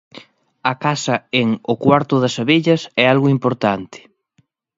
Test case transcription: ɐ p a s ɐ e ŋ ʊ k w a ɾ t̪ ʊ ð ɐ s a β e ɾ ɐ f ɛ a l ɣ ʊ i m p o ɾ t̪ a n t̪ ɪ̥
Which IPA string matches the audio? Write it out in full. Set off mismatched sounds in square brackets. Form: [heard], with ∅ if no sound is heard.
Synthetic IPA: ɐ [k] a s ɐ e ŋ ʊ k w a ɾ t̪ ʊ ð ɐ s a β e [ʎ] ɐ [s] ɛ a l ɣ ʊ i m p o ɾ t̪ a n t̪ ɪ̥